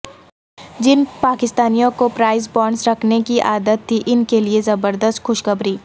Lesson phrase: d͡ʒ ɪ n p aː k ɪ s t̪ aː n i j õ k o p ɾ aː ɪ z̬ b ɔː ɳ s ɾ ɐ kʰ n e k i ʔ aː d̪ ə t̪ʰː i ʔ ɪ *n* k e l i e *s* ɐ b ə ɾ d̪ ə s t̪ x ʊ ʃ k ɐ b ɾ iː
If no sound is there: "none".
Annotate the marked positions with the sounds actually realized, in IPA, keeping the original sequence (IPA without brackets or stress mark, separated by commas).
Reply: n, z